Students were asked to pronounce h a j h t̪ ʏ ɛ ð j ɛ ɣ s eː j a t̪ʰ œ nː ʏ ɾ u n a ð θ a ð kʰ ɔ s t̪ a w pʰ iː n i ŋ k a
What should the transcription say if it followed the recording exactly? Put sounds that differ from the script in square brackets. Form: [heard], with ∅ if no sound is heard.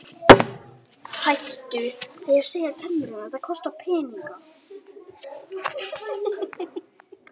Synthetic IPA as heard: h a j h t̪ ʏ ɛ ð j ɛ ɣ s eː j a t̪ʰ [ɛ] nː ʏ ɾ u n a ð θ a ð kʰ ɔ s t̪ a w pʰ [ɛː] n i ŋ k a

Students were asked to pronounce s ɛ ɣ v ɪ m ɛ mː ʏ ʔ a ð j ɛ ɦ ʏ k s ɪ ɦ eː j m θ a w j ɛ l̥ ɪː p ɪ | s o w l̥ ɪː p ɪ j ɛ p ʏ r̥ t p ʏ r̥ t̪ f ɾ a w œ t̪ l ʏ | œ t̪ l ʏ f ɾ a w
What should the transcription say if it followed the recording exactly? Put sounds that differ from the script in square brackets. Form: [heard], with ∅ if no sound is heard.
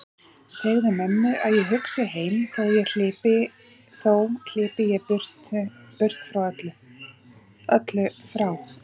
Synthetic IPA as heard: s ɛ ɣ [ð] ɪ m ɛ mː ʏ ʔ a ð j ɛ ɦ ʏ k s ɪ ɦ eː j m θ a w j ɛ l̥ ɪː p ɪ | [θ] o w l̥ ɪː p ɪ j ɛ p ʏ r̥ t p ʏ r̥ t̪ f ɾ a w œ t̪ l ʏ | œ t̪ l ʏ f ɾ a w

